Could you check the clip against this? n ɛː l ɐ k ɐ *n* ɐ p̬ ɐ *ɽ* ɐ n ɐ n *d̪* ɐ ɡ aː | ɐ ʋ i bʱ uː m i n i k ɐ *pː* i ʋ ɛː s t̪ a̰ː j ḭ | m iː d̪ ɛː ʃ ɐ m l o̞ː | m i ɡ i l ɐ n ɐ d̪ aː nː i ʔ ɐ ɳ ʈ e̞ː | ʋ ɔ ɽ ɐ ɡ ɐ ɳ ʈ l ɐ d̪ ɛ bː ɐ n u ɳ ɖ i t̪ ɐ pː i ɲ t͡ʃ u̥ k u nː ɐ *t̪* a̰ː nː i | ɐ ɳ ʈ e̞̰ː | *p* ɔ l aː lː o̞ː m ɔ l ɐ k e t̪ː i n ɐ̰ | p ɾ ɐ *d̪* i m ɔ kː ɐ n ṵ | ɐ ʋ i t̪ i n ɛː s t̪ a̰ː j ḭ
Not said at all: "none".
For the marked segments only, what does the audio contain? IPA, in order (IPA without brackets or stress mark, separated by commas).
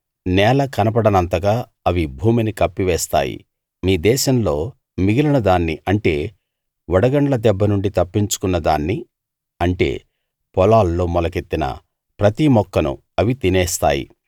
n, ɽ, t̪, pː, d̪, p, t̪